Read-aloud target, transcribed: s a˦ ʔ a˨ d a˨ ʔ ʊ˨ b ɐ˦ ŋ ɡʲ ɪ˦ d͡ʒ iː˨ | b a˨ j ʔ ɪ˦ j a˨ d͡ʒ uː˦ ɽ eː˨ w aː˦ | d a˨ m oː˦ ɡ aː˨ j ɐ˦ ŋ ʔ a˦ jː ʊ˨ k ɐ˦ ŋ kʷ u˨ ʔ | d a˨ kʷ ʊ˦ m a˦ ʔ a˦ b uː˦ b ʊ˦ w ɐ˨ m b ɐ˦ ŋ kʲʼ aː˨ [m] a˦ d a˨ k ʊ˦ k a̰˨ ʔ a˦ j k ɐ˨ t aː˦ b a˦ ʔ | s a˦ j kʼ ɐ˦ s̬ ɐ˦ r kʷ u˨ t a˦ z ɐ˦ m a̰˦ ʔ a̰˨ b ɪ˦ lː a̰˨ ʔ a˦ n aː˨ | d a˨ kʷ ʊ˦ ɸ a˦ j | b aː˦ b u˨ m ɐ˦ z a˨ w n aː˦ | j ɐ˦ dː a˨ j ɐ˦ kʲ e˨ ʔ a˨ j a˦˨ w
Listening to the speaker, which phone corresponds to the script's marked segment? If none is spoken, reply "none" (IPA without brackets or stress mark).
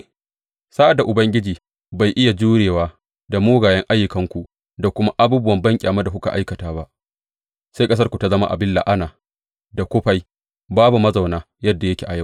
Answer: m